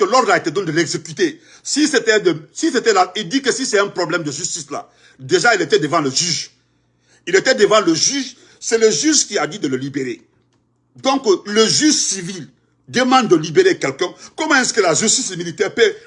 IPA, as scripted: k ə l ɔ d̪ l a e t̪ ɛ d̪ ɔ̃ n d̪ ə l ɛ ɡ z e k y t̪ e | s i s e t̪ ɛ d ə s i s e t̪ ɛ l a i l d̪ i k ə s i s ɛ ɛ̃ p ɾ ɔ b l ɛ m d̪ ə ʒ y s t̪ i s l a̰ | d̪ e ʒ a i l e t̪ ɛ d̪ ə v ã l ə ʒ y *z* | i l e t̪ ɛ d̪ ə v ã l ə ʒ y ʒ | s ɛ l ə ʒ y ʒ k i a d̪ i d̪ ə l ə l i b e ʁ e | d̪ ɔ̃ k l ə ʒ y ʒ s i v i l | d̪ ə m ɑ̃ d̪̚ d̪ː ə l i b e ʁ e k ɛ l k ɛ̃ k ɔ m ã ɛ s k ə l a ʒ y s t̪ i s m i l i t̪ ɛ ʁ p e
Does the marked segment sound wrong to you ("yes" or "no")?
yes